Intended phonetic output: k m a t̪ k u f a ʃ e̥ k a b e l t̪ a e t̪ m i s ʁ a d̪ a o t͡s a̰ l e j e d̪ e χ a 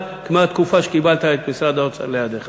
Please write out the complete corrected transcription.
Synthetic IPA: k m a t̪ k u f a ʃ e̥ k i b a l t̪ a e t̪ m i s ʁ a d̪ a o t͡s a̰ l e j a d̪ e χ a

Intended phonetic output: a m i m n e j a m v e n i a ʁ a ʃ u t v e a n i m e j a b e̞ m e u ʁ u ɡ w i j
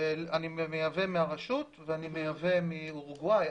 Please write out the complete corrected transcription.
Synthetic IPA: a n i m m e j a v e m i a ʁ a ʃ u t v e a n i m e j a v e̞ m i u ʁ u ɡ w a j

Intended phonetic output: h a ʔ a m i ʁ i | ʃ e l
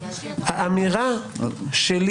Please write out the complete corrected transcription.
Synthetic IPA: h a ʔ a m i ʁ a | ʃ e l

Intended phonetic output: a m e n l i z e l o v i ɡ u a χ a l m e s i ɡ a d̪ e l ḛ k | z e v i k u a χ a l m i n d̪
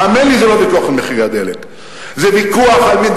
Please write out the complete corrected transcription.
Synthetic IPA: a m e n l i z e l o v i k u a χ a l m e χ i ɡ a d̪ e l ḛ k | z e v i k u a χ a l m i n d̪

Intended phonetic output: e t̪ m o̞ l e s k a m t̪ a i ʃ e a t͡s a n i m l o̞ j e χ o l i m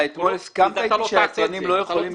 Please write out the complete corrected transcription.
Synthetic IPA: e t̪ m o̞ l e s k a m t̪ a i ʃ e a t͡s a n i m l o̞ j e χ o l i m

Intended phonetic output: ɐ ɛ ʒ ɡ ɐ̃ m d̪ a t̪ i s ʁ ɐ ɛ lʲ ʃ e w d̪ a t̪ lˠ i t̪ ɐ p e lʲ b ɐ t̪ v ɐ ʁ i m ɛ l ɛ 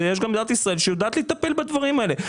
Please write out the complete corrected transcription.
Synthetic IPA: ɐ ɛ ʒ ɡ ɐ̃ m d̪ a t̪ i s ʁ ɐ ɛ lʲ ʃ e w d̪ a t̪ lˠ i t̪ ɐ p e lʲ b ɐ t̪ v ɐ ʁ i m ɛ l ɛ

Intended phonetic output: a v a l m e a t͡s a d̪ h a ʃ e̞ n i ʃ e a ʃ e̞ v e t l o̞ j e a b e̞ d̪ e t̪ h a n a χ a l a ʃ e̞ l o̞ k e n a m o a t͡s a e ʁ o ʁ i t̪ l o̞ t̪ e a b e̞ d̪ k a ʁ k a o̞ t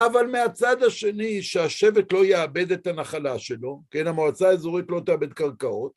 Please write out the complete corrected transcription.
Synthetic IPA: a v a l m e a t͡s a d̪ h a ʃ e̞ n i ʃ e a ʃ e̞ v e t l o̞ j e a b e̞ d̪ e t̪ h a n a χ a l a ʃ e̞ l o̞ k e n a m o a t͡s a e z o ʁ i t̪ l o̞ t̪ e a b e̞ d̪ k a ʁ k a o̞ t

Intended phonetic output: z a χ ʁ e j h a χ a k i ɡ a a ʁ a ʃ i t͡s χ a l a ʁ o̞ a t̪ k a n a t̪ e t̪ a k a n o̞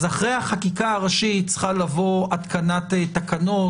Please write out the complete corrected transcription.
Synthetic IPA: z a χ ʁ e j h a χ a k i k a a ʁ a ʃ i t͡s χ a l a v o̞ a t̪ k a n a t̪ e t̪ a k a n o̞

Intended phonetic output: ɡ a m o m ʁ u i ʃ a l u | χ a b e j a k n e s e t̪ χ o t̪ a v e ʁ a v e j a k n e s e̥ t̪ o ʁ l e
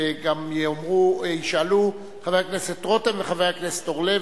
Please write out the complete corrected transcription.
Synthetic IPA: ɡ a m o m ʁ u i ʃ a l u | χ a v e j a k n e s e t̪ ʁ o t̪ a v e χ a v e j a k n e s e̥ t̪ o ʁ l e

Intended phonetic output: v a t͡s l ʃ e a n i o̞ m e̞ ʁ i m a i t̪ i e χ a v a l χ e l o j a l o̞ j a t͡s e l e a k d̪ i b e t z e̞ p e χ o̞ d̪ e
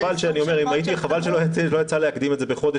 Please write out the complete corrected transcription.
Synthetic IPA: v a l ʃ e a n i o̞ m e̞ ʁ i m a i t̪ i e χ a v a l ʃ e l o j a l o̞ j a t͡s a l e a k d̪ i m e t z e̞ b e χ o̞ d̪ e

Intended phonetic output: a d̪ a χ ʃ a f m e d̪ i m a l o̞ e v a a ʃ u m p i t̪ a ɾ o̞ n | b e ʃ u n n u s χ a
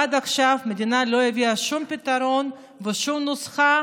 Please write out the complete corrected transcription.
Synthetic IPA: a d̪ a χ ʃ a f m e d̪ i n a l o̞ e v i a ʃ u m p i t̪ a ɾ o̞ n | v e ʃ u m n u s χ a

